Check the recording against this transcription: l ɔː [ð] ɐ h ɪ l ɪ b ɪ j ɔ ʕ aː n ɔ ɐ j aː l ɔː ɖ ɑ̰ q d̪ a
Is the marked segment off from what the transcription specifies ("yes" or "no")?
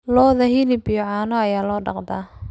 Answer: no